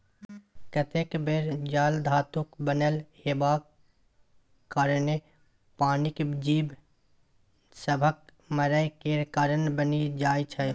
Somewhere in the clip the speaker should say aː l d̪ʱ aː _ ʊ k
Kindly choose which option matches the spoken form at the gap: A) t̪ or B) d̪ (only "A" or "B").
A